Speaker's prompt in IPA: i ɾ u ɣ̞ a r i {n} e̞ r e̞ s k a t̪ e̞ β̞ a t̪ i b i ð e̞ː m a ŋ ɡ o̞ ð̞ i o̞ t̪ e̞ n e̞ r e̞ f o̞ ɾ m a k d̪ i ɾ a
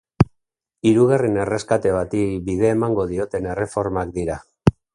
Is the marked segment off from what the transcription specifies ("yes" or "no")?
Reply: no